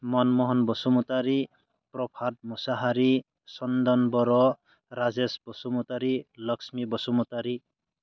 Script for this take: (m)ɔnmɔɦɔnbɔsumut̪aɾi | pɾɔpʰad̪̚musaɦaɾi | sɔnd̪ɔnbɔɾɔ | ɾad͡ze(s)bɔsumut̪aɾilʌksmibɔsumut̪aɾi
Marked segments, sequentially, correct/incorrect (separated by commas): correct, correct